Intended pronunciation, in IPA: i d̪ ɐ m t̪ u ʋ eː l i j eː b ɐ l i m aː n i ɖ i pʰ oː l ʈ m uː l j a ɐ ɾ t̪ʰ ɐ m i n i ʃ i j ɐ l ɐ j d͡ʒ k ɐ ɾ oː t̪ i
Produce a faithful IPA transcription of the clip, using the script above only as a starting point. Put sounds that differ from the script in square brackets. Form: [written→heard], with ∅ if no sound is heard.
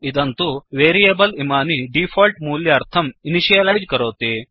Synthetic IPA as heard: i d̪ ɐ [m→n] t̪ u ʋ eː [l→ɾ] i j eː b ɐ l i m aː n i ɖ i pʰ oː l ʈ m uː l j [a→ɐ] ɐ ɾ t̪ʰ ɐ m i n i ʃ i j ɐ l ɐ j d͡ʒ k ɐ ɾ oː t̪ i